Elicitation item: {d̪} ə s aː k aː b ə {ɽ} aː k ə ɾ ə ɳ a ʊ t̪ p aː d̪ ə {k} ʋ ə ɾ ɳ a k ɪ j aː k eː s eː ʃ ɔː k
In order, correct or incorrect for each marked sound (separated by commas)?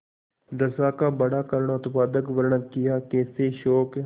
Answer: correct, correct, correct